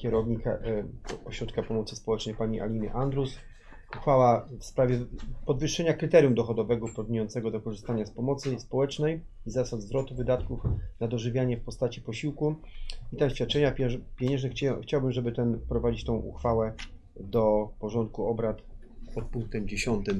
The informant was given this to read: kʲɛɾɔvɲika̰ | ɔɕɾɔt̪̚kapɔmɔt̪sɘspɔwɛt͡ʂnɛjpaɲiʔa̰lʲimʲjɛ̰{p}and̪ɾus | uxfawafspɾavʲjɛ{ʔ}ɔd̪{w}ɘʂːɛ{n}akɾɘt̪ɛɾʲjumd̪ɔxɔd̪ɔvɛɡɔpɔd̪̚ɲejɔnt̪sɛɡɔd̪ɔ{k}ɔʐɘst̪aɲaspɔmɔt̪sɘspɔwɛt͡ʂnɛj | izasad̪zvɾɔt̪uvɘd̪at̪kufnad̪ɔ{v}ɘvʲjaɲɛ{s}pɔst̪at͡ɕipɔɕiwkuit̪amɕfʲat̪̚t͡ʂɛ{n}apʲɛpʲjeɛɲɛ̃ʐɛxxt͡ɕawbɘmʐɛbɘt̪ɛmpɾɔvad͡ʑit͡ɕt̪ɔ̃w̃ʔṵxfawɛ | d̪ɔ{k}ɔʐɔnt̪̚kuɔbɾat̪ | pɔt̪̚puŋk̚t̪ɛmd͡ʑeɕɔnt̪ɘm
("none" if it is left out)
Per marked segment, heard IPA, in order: ʔ, p, v, ɲ, k, ʐ, f, ɲ, p

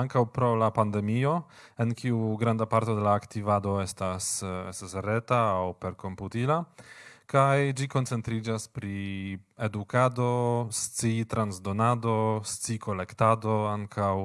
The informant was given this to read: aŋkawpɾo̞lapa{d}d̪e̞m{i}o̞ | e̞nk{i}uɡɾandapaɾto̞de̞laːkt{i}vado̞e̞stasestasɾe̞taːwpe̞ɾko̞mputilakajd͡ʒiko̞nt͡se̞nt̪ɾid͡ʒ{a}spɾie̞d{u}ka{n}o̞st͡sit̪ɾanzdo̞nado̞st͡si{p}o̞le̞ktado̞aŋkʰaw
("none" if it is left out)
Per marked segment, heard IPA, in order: n, i, i, i, a, u, d, k

